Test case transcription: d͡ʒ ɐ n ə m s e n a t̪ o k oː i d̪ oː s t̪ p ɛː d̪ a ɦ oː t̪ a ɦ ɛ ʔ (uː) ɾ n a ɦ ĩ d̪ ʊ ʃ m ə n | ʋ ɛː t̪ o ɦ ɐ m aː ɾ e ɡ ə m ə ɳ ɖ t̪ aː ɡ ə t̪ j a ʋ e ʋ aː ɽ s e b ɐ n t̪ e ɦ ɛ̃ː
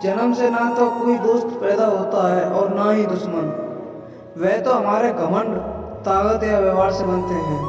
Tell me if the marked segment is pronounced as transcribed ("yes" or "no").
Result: no